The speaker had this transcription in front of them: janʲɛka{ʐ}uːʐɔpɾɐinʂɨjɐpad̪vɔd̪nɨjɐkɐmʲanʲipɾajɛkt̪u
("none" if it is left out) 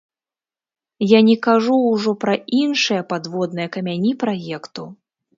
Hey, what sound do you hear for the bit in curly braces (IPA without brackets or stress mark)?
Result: ʐ